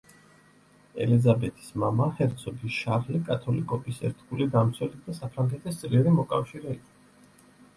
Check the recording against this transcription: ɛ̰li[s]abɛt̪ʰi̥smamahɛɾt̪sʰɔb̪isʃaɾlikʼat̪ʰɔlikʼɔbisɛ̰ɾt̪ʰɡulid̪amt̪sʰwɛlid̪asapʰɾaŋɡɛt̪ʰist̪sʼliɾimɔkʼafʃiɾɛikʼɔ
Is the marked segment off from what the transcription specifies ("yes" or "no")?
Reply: yes